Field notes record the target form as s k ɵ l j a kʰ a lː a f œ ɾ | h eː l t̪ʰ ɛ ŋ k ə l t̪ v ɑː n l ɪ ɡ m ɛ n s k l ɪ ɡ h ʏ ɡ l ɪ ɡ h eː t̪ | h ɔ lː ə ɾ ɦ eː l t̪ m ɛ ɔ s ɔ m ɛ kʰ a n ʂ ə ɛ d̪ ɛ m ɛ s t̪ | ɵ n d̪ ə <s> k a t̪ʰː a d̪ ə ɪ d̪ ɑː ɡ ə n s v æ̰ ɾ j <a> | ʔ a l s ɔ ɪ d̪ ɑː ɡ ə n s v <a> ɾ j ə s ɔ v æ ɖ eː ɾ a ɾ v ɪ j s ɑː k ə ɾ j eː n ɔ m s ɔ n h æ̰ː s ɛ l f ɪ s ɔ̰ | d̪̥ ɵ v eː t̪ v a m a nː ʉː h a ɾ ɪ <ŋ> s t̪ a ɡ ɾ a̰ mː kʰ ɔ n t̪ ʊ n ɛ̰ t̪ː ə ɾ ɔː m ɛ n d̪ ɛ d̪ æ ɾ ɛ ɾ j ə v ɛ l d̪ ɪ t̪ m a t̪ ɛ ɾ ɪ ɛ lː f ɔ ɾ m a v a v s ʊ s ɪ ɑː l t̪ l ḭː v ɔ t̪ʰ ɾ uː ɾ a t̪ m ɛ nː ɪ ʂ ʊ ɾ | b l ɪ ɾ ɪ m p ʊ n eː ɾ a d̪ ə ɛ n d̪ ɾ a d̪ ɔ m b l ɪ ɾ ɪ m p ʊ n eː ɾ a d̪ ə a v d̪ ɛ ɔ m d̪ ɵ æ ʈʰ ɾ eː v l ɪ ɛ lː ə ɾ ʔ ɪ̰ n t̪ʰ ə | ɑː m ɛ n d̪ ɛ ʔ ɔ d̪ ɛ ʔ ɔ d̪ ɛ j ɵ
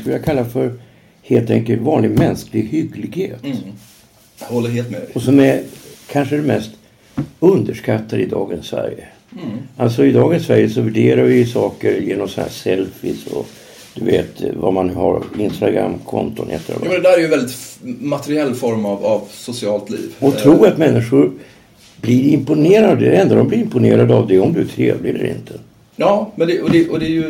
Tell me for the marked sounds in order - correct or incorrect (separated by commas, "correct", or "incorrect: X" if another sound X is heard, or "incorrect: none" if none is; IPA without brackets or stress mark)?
incorrect: ʂ, incorrect: ə, incorrect: æ, incorrect: n